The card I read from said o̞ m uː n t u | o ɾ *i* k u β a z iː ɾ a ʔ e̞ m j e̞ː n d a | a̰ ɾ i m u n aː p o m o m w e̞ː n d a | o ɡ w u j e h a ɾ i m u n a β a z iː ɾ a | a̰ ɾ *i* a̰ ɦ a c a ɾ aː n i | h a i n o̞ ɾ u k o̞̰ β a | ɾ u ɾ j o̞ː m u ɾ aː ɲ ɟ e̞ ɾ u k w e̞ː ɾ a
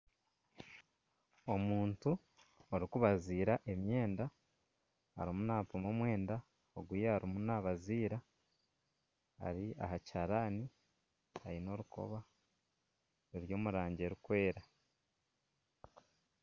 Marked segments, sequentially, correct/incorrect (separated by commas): correct, correct